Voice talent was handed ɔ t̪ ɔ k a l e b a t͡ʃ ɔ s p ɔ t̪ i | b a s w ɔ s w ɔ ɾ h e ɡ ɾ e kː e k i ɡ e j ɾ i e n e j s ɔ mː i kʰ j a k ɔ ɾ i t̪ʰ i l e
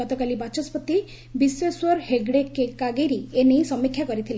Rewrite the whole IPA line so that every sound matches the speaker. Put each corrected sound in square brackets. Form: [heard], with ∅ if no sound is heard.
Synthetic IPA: ɔ t̪ ɔ k a l [i] b a t͡ʃ ɔ s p ɔ t̪ i | b [i] s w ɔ s w ɔ ɾ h e ɡ [ɽ] e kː e k [a] ɡ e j ɾ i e n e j s ɔ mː i kʰ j a k ɔ ɾ i t̪ʰ i l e